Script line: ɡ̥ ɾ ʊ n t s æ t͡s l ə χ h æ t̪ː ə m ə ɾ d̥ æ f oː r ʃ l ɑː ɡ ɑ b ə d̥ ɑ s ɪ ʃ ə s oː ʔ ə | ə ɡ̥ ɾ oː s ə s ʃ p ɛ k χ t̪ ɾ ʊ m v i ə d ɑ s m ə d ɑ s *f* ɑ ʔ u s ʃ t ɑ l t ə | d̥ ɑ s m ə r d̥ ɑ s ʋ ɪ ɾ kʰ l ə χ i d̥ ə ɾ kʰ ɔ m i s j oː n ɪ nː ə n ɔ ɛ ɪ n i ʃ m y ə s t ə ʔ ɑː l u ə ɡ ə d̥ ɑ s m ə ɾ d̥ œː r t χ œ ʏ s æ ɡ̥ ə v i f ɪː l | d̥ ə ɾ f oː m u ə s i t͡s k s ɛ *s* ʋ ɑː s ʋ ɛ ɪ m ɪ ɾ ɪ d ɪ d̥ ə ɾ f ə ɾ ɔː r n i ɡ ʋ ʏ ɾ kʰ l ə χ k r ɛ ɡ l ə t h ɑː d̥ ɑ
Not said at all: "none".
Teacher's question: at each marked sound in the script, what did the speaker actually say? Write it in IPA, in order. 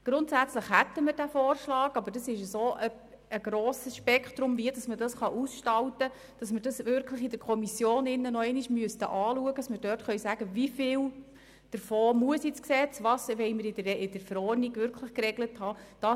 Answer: χ, t͡s

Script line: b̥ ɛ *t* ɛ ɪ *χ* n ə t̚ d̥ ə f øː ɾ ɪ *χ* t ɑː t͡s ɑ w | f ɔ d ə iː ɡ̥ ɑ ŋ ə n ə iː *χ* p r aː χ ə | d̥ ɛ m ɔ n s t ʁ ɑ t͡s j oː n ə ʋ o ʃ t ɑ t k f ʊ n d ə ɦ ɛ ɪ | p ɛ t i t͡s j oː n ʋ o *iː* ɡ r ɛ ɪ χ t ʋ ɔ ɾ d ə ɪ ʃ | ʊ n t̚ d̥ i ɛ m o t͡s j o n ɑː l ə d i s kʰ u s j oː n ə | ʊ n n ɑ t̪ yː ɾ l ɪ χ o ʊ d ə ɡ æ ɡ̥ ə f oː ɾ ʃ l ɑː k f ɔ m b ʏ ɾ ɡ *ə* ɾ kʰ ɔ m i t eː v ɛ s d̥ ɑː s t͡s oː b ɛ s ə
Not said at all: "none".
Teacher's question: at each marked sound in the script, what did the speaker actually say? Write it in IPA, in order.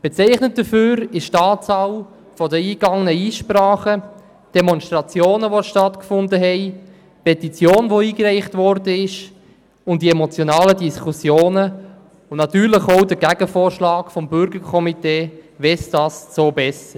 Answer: t͡s, χ, ʃ, ʃ, iː, ə

